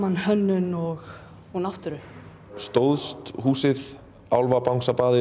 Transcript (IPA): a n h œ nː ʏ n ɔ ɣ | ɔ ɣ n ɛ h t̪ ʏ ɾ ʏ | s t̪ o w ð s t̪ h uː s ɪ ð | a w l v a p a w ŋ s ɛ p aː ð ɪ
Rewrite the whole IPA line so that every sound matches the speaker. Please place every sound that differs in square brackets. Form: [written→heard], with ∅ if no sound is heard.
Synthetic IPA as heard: a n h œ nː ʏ n ɔ ɣ | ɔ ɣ n [ɛ→a] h t̪ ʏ ɾ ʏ | s t̪ o w ð s t̪ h uː s ɪ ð | a w l v a p a w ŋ s [ɛ→a] p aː ð ɪ